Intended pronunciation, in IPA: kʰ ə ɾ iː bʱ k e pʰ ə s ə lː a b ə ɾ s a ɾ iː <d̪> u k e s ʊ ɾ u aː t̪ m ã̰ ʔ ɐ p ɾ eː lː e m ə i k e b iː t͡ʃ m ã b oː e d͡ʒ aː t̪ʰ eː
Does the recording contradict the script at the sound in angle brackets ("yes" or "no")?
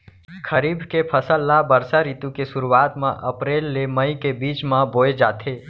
yes